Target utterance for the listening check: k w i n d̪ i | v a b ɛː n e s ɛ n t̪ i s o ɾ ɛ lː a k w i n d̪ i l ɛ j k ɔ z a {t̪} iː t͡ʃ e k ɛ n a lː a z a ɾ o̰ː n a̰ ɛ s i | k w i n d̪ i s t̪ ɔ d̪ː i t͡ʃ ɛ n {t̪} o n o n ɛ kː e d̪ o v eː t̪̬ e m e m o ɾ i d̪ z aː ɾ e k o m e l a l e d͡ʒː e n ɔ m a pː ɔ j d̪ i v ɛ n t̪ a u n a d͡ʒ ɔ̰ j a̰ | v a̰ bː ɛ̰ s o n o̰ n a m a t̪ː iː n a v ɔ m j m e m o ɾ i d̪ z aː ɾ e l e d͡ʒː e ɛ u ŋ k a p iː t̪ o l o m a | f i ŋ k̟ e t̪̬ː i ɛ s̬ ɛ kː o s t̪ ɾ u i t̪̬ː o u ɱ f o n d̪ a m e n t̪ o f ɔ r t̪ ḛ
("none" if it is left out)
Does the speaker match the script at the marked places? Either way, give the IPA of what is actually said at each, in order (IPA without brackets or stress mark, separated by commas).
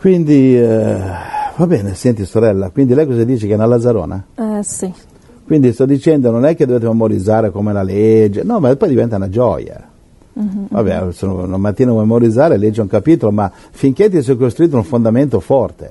d̪, d̪